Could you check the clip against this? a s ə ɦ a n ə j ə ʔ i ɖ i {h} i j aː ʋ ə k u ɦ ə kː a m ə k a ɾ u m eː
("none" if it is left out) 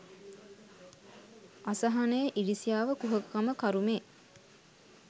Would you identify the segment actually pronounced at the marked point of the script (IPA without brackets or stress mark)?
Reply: s